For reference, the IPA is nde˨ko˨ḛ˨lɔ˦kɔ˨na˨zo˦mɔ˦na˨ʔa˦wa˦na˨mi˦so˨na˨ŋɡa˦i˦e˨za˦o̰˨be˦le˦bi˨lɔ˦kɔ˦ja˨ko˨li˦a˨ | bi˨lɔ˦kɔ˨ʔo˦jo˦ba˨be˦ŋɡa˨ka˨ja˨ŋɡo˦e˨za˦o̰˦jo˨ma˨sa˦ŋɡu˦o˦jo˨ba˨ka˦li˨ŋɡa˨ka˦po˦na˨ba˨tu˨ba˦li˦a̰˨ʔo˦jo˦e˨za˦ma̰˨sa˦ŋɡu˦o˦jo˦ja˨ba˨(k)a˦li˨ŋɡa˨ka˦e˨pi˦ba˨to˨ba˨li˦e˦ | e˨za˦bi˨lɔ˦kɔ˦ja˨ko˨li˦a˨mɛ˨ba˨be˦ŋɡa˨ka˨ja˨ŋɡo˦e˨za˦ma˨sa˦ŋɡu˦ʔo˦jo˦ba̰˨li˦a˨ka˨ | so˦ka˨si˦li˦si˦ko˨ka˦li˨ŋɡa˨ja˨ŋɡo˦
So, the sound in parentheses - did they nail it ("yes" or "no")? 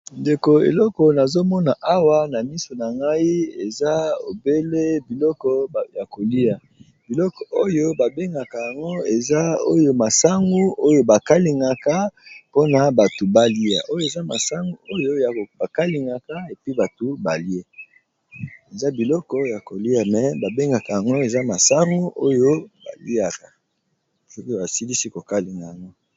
yes